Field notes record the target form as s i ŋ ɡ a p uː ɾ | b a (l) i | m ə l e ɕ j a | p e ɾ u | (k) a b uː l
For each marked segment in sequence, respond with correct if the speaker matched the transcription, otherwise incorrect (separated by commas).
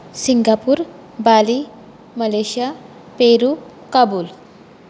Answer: correct, correct